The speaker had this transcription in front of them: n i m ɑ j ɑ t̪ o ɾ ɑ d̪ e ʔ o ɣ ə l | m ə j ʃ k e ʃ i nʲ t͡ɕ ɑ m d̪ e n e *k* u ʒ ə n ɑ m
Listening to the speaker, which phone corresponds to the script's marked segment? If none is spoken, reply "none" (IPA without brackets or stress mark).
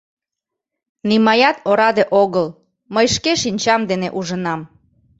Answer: ʔ